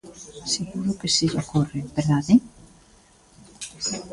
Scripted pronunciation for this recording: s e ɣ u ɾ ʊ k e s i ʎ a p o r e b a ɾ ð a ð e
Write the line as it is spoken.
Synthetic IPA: s e ɣ u ɾ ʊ k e s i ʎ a k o r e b e ɾ ð a ð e

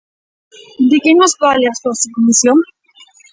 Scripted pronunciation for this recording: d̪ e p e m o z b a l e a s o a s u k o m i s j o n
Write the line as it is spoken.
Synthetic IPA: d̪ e k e n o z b a l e a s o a s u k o m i s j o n

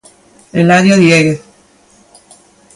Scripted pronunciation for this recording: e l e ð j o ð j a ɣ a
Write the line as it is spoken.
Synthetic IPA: e l a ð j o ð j e ɣ e

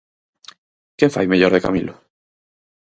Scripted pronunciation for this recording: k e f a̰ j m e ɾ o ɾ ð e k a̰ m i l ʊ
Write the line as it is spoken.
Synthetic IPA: k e f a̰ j m e ʎ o ɾ ð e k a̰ m i l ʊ

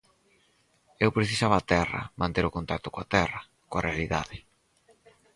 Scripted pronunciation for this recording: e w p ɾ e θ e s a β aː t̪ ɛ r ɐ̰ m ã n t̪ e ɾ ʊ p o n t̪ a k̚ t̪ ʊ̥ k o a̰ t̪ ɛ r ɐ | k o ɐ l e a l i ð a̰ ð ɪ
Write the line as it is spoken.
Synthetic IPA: e w p ɾ e θ i s a β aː t̪ ɛ r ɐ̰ m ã n t̪ e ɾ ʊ k o n t̪ a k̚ t̪ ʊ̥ k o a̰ t̪ ɛ r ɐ | k o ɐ r e a l i ð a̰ ð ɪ

